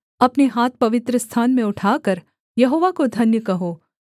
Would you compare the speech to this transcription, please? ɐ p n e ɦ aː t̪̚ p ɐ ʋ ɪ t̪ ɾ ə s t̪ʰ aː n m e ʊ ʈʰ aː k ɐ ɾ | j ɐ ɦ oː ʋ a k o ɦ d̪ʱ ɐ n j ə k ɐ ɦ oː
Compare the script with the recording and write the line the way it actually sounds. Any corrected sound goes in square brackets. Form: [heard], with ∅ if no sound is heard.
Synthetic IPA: ɐ p n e ɦ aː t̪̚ p ɐ ʋ ɪ t̪ ɾ ə s t̪ʰ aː n m [ẽ] ʊ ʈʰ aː k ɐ ɾ | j ɐ ɦ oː ʋ a k o [∅] d̪ʱ ɐ n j ə k ɐ ɦ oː